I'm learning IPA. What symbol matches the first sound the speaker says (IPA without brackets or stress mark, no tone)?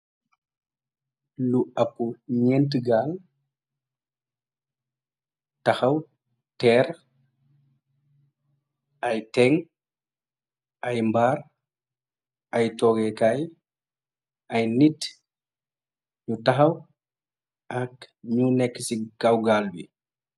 l